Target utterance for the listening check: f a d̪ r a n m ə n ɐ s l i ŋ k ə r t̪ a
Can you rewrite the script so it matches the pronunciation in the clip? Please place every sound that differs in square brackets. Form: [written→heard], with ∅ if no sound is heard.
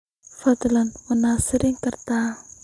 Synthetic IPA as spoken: f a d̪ [r→l] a n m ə n [ɐ→a] s [l→ɾ] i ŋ k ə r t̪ a